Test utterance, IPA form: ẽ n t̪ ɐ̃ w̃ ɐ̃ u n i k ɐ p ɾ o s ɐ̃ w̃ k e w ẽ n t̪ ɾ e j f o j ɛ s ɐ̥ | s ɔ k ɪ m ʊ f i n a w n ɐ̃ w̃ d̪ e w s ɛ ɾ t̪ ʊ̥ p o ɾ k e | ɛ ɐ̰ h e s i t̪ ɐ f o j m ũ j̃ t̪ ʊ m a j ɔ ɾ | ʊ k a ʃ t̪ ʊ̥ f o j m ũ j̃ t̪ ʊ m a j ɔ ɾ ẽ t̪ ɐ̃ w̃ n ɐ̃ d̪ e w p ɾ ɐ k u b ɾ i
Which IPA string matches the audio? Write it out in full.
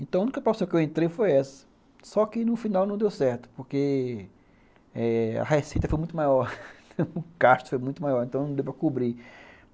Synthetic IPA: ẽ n t̪ ɐ̃ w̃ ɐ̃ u n i k ɐ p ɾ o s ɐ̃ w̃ k e w ẽ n t̪ ɾ e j f o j ɛ s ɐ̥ | s ɔ k ɪ n ʊ f i n a w n ɐ̃ w̃ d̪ e w s ɛ ɾ t̪ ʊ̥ p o ɾ k e | ɛ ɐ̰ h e s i t̪ ɐ f o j m ũ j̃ t̪ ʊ m a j ɔ ɾ | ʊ k a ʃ t̪ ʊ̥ f o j m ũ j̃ t̪ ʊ m a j ɔ ɾ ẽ t̪ ɐ̃ w̃ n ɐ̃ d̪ e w p ɾ ɐ k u b ɾ i